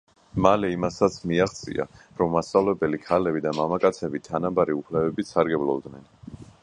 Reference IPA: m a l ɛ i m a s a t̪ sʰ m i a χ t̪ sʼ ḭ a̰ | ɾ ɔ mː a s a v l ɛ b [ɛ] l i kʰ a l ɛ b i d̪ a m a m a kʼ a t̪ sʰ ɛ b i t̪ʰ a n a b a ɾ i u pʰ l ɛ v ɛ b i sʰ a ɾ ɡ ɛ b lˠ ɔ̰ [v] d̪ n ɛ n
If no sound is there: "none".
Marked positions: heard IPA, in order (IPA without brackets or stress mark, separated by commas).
ɛ, b